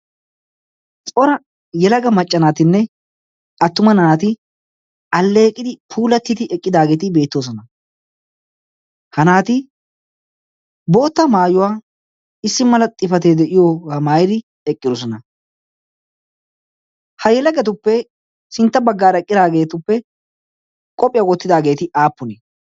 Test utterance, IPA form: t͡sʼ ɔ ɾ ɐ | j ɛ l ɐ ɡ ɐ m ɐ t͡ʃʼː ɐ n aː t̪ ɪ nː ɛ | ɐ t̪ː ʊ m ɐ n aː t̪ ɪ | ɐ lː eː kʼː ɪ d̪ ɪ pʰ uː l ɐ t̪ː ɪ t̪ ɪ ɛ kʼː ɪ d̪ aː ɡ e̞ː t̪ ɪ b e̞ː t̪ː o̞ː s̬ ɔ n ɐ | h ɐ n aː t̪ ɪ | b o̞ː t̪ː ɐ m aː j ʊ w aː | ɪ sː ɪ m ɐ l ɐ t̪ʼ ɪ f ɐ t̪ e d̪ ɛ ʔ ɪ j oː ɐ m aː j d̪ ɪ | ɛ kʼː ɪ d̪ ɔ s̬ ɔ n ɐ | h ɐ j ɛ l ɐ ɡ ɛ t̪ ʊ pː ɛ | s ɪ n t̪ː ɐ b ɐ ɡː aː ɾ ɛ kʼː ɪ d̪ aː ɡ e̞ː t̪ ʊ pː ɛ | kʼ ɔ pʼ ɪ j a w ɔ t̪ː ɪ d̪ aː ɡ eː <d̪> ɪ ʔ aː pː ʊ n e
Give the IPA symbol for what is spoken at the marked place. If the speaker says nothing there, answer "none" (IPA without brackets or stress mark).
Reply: t̪